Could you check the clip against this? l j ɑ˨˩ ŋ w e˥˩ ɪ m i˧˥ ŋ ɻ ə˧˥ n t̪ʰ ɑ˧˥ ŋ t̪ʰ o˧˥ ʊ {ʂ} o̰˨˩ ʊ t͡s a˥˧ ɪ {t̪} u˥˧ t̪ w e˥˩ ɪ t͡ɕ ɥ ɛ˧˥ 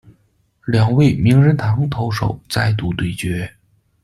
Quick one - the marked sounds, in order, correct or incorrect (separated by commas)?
correct, correct